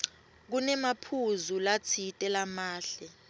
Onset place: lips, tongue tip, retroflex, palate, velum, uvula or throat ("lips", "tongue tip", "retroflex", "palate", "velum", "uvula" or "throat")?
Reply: velum